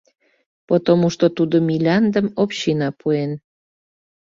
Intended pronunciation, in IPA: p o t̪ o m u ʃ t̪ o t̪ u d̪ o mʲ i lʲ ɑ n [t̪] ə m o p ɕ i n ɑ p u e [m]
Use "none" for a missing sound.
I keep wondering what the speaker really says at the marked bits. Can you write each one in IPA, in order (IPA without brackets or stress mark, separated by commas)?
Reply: d̪, n